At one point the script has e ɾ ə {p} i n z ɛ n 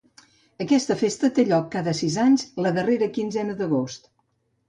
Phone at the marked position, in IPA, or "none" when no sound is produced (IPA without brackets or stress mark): k